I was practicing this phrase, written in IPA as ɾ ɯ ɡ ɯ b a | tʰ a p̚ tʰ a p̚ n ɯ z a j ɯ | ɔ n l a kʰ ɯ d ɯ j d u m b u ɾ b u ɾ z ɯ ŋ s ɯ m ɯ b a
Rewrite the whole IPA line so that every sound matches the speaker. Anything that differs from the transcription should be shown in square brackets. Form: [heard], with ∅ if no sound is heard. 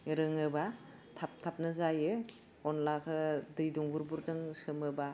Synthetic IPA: ɾ ɯ [ŋ] ɯ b a | tʰ a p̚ tʰ a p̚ n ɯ z a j ɯ | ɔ n l a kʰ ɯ d ɯ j d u [ŋ] b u ɾ b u ɾ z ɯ ŋ s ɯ m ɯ b a